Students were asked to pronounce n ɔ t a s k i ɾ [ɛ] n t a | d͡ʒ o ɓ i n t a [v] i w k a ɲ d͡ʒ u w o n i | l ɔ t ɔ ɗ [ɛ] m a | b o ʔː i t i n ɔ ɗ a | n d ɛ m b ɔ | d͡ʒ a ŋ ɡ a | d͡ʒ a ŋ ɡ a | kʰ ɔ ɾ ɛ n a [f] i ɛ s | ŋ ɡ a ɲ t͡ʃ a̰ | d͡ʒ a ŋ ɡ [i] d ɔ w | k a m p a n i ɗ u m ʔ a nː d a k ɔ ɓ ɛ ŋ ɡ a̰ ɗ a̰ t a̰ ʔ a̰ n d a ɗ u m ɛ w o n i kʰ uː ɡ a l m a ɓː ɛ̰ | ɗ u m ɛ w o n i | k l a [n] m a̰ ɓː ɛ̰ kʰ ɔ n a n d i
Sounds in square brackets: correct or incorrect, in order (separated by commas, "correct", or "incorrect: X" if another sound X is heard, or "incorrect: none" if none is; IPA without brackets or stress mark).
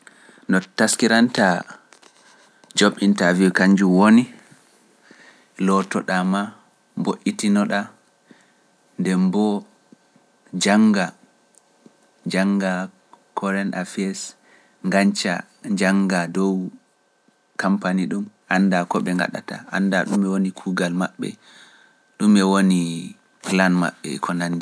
incorrect: a, correct, incorrect: a, correct, incorrect: a, correct